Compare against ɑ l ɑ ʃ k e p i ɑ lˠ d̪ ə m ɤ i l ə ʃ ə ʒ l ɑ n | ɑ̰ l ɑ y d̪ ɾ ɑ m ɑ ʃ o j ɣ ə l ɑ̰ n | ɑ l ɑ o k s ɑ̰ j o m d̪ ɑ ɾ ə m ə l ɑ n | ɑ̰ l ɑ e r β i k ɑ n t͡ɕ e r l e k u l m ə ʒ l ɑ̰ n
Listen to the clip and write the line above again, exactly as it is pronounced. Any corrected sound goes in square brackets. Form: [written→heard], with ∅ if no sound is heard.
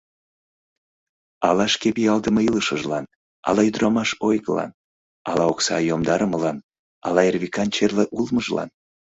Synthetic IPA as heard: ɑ l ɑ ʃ k e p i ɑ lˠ d̪ ə m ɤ i l ə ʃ ə ʒ l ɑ n | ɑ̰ l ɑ y d̪ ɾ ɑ m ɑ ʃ o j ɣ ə l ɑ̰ n | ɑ l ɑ o k s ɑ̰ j o m d̪ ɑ ɾ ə m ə l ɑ n | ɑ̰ l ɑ e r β i k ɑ n t͡ɕ e r l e [k→ʔ] u l m ə ʒ l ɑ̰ n